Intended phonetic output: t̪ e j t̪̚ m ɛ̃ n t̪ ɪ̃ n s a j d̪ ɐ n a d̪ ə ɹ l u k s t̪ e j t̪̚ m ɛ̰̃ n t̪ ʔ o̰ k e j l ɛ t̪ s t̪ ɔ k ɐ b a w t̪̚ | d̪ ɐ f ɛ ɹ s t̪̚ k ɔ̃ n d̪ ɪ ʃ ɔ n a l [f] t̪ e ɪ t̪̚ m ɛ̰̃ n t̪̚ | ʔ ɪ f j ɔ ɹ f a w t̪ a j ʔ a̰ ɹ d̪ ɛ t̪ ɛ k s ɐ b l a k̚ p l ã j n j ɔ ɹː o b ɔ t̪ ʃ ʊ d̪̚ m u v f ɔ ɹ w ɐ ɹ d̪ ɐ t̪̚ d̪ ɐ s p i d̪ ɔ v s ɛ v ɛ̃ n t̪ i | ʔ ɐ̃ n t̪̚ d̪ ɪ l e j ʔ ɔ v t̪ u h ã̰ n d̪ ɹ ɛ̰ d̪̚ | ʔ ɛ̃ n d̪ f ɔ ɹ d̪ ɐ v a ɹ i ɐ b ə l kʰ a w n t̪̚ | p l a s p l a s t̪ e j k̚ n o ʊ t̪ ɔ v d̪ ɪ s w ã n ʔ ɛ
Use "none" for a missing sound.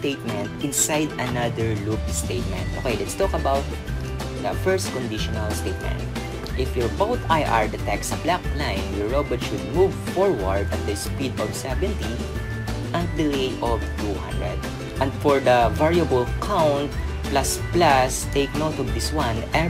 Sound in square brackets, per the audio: s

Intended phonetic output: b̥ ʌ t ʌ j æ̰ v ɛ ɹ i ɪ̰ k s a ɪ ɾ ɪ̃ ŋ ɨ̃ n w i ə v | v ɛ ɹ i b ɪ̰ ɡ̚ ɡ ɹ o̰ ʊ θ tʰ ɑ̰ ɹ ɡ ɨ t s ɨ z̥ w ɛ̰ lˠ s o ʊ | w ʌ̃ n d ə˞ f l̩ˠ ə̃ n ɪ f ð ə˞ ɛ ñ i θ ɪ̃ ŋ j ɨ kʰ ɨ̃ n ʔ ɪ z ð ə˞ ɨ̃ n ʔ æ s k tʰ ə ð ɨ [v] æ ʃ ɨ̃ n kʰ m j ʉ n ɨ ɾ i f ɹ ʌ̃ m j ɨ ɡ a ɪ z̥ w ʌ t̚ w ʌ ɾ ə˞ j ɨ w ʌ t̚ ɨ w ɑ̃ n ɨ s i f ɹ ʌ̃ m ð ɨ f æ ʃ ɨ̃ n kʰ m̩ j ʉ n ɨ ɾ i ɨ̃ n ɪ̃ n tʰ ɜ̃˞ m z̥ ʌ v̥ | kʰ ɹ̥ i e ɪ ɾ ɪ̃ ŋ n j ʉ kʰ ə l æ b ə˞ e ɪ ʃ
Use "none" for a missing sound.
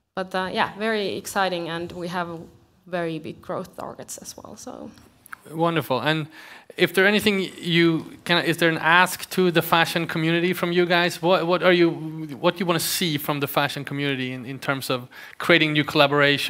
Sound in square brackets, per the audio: f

